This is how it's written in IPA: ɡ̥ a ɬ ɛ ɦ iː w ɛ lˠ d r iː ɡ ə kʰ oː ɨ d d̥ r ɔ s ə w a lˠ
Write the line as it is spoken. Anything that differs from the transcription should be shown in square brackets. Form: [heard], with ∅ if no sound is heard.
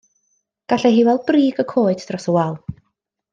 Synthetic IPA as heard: ɡ̥ a ɬ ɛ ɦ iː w ɛ lˠ [b] r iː ɡ ə kʰ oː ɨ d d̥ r ɔ s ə w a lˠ

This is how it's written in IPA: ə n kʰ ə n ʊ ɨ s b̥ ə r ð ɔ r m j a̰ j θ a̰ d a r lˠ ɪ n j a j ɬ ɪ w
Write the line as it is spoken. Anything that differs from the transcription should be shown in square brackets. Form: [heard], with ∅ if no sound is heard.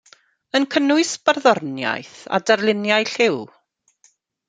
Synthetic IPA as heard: ə n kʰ ə n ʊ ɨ s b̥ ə r ð ɔ r [n] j a̰ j θ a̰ d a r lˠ ɪ n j a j ɬ ɪ w

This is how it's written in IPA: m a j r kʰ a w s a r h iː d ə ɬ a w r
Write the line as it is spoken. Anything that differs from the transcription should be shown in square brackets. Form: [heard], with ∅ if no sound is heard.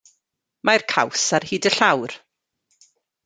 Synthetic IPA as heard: m a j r kʰ a w s a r h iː d ə ɬ a w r

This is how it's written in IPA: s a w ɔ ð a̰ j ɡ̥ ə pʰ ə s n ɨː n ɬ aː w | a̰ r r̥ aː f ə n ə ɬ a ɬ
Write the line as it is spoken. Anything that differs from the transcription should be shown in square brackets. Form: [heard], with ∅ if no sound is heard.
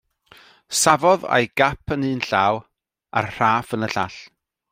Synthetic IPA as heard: s a [v] ɔ ð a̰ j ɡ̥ [a] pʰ ə [∅] n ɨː n ɬ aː w | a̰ r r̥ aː f ə n ə ɬ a ɬ

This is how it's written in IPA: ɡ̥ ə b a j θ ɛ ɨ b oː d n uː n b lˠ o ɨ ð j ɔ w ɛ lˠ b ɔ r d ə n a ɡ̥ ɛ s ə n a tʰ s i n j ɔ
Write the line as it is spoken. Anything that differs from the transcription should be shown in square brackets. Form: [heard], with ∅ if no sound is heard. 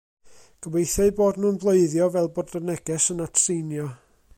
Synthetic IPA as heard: ɡ̥ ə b [e] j θ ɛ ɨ b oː d n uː n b lˠ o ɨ ð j ɔ [v] ɛ lˠ b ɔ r d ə n [ɛ] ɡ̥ ɛ s ə n a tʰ s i n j ɔ

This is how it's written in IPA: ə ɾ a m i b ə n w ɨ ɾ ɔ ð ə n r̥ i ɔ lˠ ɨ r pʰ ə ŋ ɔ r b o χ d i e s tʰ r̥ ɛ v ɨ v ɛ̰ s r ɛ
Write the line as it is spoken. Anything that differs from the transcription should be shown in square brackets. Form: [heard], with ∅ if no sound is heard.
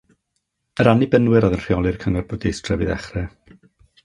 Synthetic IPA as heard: ə ɾ a [n] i b ə n w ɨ ɾ ɔ ð ə n r̥ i ɔ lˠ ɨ r [kʰ] ə ŋ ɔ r b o [∅] d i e s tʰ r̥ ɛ v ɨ [ð] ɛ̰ [χ] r ɛ

